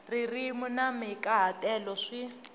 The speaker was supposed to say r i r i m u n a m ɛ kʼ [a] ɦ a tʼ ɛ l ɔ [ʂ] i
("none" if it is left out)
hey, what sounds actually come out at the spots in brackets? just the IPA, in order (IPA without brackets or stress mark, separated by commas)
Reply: a, ʂ